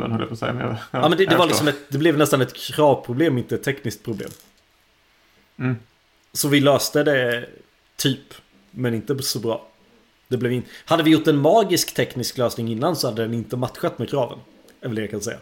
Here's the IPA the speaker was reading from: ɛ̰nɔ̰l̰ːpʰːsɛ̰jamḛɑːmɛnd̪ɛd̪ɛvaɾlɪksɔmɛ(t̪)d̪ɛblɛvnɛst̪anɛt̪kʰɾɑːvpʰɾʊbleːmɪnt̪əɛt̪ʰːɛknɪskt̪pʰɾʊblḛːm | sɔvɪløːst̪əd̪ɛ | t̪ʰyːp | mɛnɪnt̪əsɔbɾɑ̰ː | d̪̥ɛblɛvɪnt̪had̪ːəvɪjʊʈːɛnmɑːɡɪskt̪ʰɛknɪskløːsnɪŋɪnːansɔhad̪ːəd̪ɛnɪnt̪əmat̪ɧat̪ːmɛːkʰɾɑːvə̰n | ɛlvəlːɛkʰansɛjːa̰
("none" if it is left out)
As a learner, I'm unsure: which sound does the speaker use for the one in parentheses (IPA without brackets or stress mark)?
t̪